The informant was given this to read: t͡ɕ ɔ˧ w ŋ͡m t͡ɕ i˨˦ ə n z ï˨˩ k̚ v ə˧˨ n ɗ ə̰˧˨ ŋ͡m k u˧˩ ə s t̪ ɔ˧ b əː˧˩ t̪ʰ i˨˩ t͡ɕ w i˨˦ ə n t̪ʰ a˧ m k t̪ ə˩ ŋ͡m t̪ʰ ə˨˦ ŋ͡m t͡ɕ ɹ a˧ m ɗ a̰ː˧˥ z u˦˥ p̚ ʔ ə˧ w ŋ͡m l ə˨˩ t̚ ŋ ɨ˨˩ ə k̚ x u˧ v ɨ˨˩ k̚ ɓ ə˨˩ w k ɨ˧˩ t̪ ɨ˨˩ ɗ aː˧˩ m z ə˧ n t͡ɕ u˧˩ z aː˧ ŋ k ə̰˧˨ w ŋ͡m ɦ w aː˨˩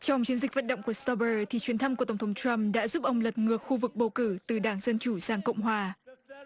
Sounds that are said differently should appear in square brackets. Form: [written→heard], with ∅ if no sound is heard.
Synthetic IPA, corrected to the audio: t͡ɕ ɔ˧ w ŋ͡m t͡ɕ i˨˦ ə n z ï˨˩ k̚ v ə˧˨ n ɗ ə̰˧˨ ŋ͡m k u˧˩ ə s t̪ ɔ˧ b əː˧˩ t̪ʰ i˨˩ t͡ɕ w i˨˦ ə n t̪ʰ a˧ m k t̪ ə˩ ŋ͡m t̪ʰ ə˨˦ ŋ͡m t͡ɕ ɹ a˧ m ɗ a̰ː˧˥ z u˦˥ p̚ ʔ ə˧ w ŋ͡m l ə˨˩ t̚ ŋ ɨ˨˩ ə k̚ x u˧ v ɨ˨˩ k̚ ɓ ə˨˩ w k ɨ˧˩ t̪ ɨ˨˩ ɗ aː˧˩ [m→ŋ] z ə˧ n t͡ɕ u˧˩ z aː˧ ŋ k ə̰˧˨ w ŋ͡m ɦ w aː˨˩